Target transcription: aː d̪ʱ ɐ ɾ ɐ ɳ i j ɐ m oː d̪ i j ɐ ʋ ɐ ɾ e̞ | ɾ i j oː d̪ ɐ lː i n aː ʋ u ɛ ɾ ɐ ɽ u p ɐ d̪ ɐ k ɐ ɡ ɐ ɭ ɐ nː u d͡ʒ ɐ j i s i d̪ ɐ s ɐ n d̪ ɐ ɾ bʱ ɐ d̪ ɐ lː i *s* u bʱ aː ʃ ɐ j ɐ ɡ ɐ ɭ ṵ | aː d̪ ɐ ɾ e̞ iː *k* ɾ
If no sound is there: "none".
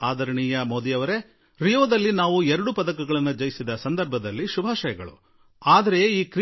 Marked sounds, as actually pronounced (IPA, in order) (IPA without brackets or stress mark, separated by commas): ʃ, k